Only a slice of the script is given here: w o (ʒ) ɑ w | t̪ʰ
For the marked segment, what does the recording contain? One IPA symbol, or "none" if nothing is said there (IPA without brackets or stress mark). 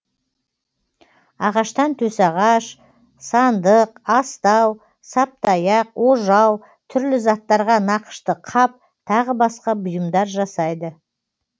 ʒ